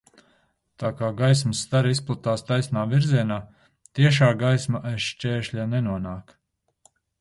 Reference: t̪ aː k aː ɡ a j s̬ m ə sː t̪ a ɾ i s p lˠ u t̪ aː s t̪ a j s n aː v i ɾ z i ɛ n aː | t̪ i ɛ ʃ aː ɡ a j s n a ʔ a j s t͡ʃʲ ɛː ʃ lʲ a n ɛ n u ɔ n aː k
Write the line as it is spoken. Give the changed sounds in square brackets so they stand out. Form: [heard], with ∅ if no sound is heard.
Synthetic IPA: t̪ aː k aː ɡ a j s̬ m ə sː t̪ a ɾ i s p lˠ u t̪ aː s t̪ a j s n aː v i ɾ z i ɛ n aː | t̪ i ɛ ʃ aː ɡ a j s [m] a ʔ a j [ʃ] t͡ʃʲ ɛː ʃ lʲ a n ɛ n u ɔ n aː k